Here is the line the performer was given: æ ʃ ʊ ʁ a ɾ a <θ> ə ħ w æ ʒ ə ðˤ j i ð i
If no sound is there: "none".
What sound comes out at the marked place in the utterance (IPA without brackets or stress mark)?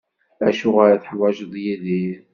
θ